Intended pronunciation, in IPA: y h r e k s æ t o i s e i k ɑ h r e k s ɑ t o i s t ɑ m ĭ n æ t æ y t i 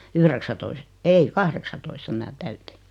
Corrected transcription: y h r e k s æ t o i s e i k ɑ h r e k s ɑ t o i s t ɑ m ĭ n æ t æ y t i